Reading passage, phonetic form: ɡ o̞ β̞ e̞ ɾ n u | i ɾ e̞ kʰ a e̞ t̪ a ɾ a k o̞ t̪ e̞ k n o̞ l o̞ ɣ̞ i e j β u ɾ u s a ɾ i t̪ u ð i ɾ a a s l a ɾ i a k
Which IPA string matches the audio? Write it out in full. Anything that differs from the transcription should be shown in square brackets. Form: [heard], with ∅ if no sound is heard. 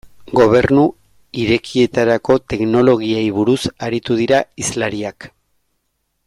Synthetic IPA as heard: ɡ o̞ β̞ e̞ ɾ n u | i ɾ e̞ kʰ [i] e̞ t̪ a ɾ a k o̞ t̪ e̞ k n o̞ l o̞ ɣ̞ i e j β u ɾ u s a ɾ i t̪ u ð i ɾ a [i] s l a ɾ i a k